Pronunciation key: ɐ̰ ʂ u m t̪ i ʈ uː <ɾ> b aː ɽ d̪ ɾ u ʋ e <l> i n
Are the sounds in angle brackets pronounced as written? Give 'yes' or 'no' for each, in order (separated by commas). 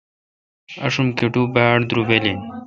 no, yes